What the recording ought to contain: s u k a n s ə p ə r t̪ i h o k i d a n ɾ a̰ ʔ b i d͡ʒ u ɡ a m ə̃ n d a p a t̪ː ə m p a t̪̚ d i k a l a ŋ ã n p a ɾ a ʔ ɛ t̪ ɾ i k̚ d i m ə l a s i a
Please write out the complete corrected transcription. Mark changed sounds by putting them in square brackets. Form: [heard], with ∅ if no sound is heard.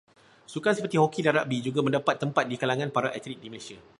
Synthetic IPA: s u k a n s ə p ə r t̪ i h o k i d a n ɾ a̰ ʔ b i d͡ʒ u ɡ a m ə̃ n d a p a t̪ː ə m p a t̪̚ d i k a l a ŋ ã n p a ɾ a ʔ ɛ t̪ ɾ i k̚ d i m ə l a s i a